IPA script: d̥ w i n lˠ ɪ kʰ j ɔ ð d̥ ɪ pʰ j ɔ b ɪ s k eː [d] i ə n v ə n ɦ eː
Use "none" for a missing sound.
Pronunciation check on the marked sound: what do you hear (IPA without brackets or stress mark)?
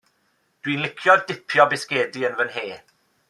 d